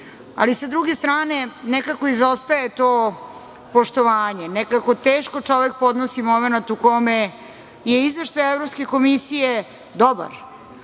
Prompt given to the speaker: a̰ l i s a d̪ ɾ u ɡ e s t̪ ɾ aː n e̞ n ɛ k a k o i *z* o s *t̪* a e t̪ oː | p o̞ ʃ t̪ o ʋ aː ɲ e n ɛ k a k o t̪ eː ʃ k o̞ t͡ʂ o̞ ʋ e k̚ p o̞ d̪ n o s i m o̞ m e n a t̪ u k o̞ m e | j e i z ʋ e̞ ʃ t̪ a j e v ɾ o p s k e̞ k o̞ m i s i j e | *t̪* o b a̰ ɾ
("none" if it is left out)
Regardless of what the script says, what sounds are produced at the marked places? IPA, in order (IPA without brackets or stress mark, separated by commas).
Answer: z, t̪, d̪